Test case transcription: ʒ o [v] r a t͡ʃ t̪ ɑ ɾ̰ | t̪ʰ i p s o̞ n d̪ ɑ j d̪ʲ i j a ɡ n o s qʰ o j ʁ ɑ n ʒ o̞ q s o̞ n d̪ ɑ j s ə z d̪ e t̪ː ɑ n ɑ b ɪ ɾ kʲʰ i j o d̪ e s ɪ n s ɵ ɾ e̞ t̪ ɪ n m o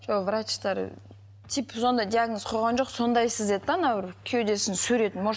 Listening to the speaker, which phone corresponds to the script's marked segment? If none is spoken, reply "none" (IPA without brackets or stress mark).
v